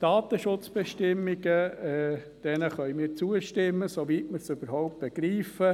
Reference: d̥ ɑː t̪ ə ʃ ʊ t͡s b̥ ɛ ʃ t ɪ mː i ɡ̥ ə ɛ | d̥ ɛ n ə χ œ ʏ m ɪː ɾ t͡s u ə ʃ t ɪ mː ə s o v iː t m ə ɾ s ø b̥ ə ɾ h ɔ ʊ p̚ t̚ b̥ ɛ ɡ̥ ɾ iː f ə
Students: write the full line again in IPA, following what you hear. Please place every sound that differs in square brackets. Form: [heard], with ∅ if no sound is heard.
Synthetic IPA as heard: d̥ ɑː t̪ ə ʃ ʊ t͡s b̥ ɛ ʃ t ɪ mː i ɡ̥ ə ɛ | d̥ ɛ n ə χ œ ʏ m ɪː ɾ t͡s u ə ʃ t ɪ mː ə s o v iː t m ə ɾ s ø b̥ ə ɾ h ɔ ʊ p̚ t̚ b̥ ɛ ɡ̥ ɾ iː f ə